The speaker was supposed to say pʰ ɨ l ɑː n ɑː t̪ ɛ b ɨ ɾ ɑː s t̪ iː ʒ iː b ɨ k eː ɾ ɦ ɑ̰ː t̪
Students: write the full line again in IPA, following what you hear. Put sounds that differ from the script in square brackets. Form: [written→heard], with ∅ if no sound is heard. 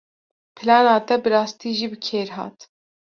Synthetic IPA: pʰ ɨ l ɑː n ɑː t̪ ɛ b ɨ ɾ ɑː s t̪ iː ʒ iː b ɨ [k→kʰ] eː ɾ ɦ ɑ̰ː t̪